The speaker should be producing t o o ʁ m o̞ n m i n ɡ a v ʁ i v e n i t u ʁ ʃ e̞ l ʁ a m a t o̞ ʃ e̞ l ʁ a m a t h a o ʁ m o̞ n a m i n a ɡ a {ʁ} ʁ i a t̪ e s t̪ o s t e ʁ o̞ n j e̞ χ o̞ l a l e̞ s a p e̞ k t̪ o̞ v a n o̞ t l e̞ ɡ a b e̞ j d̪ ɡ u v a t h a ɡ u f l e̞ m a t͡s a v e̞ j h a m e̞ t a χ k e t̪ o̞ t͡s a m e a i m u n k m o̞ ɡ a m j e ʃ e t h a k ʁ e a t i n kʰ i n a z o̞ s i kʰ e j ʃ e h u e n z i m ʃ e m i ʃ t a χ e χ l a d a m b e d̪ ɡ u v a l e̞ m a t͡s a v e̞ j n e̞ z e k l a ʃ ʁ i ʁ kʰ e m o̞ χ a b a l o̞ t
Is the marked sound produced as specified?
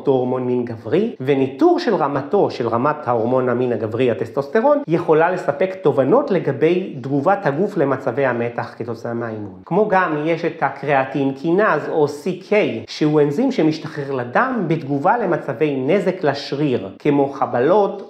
no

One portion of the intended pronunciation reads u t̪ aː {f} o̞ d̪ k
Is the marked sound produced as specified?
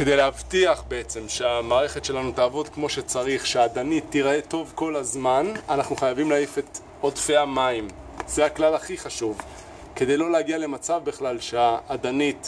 no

